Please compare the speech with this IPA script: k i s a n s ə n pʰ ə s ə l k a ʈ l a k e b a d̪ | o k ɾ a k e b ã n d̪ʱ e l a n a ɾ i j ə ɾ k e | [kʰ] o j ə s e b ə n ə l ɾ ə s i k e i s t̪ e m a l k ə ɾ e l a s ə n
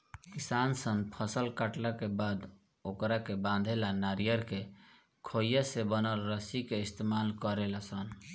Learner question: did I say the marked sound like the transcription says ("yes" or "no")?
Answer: yes